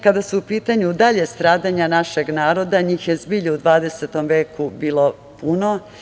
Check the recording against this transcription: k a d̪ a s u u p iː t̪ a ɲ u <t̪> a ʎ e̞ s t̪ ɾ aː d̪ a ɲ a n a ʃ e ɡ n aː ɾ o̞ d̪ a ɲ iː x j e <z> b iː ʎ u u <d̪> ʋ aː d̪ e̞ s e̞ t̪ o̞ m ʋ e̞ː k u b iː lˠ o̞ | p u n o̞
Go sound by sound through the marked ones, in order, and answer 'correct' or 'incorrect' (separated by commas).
incorrect, correct, correct